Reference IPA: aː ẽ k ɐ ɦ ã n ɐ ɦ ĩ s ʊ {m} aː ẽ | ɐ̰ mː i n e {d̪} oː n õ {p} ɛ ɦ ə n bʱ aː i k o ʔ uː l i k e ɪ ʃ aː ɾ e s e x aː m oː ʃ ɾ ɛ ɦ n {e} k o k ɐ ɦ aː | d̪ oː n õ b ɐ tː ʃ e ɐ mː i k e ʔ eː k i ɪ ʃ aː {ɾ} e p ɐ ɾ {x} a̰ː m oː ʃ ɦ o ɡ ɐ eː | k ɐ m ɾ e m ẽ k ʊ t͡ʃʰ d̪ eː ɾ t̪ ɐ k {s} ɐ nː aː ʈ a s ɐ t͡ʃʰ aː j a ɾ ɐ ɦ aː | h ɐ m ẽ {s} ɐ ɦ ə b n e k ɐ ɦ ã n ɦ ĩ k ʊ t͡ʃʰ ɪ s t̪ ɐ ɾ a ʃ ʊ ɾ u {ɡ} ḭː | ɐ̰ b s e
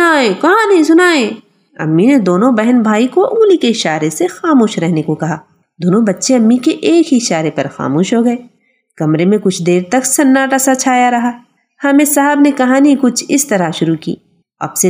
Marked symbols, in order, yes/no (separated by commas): no, yes, no, yes, yes, yes, yes, yes, no